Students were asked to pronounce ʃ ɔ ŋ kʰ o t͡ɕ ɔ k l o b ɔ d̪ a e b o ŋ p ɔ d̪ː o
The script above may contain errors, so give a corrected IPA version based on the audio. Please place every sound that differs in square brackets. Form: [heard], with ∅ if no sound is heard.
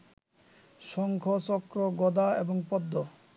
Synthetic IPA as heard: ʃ ɔ ŋ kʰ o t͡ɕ ɔ k [ɾ] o [ɡ] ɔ d̪ a e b o ŋ p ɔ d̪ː o

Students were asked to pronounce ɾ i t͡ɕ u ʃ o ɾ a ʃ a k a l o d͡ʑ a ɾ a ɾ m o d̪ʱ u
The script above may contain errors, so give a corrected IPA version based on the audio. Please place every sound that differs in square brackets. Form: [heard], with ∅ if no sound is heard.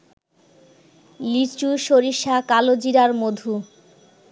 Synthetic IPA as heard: [l] i t͡ɕ u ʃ o ɾ [i] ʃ a k a l o d͡ʑ [i] ɾ a ɾ m o d̪ʱ u

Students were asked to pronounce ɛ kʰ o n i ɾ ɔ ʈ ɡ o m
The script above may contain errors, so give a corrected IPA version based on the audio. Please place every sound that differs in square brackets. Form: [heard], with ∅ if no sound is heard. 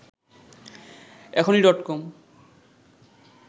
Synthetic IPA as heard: ɛ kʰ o n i ɾ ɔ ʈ [k] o m

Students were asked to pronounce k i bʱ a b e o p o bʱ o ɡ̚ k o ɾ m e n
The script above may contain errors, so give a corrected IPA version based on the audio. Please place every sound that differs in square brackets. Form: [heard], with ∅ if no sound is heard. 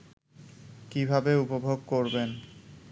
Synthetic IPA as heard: k i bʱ a b e [u] p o bʱ o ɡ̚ k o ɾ [b] e n

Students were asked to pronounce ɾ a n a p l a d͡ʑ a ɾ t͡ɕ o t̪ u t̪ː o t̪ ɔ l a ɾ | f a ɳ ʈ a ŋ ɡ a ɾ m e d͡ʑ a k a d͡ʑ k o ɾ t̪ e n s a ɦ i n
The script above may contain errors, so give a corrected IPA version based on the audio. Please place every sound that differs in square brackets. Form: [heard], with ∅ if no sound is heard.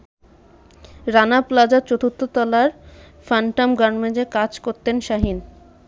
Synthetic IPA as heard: ɾ a n a p l a d͡ʑ a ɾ t͡ɕ o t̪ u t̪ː o t̪ ɔ l a ɾ | f a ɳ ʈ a [m] ɡ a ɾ m e d͡ʑ [e] k a d͡ʑ k o ɾ t̪ e n [ʃ] a ɦ i n

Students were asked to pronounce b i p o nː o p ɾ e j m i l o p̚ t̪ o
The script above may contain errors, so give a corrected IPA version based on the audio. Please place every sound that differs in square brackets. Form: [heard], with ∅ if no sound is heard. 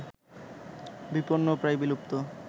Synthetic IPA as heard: b i p o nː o p ɾ [a] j [b] i l [u] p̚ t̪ o

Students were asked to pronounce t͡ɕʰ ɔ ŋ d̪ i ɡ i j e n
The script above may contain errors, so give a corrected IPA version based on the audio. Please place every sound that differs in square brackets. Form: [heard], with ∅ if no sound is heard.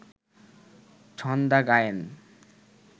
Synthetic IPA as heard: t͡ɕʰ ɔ [n] d̪ [a] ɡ [a] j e n

